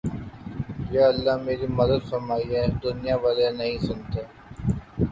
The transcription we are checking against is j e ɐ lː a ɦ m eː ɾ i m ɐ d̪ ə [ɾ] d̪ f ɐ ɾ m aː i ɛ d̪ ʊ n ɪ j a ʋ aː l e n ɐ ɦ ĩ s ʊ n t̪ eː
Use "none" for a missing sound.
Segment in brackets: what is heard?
none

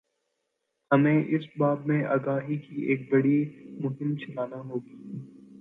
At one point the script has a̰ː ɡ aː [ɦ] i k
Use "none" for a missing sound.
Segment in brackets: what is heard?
ɦ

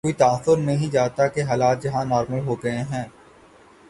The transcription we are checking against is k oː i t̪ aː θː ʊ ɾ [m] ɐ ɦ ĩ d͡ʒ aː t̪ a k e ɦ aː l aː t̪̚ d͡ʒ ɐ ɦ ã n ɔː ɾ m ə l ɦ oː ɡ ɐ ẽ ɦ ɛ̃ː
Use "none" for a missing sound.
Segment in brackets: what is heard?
n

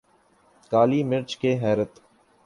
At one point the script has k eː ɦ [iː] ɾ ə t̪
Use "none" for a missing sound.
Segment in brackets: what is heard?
ɛː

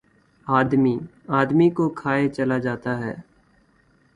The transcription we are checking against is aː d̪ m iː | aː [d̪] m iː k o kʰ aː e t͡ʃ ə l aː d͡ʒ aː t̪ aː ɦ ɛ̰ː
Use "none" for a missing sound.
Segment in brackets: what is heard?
d̪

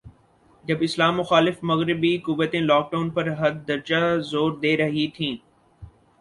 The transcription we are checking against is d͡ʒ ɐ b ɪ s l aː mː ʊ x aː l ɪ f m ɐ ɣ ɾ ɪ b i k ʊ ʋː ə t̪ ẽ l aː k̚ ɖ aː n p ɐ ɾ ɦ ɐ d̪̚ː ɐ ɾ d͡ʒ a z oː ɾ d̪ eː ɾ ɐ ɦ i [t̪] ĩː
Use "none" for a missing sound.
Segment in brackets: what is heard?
t̪ʰ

